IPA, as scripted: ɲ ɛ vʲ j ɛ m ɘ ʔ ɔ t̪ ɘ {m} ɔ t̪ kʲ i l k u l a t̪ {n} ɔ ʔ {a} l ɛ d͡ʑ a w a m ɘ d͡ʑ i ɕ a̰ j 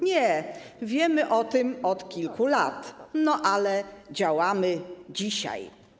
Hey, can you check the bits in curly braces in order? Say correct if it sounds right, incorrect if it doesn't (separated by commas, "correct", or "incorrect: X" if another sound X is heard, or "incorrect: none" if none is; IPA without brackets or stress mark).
correct, correct, correct